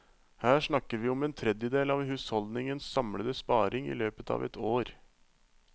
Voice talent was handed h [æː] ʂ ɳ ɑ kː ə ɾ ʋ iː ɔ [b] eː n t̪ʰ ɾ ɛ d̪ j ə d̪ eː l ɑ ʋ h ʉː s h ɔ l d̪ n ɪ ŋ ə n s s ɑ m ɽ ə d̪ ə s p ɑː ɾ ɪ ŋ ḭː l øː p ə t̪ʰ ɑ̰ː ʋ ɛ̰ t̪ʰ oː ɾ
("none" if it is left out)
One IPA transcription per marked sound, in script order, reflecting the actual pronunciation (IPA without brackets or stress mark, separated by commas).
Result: æː, m